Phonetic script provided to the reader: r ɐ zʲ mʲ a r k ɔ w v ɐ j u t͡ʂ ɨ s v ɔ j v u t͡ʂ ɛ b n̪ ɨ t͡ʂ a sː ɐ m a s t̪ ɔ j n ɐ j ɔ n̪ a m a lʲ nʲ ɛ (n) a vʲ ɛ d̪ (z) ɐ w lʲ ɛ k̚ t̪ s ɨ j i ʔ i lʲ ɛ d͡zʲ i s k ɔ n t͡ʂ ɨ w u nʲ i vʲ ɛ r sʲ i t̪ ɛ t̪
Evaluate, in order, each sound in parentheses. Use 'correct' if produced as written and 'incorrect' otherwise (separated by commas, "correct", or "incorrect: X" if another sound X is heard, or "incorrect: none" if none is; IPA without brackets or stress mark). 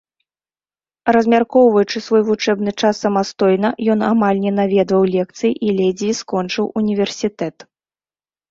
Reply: correct, incorrect: v